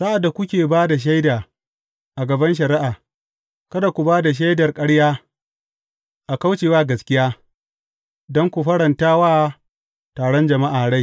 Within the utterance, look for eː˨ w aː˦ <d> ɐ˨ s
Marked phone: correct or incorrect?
incorrect